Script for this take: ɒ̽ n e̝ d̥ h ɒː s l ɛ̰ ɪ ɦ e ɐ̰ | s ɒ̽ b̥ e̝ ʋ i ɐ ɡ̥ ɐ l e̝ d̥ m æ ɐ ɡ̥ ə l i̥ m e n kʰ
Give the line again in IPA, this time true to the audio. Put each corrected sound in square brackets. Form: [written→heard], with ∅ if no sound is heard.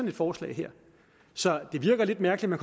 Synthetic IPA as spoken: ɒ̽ n e̝ d̥ [h→f] ɒː s l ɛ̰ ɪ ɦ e ɐ̰ | s ɒ̽ [b̥→d̥] e̝ ʋ i ɐ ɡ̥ ɐ l e̝ d̥ m æ ɐ ɡ̥ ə l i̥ m [e→æ] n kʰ